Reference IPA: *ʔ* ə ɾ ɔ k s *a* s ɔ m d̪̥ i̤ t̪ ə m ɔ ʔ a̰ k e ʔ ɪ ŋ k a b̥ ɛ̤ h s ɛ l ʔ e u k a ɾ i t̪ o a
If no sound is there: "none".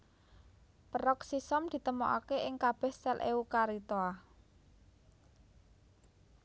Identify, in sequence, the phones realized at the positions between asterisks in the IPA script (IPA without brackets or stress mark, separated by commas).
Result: p, i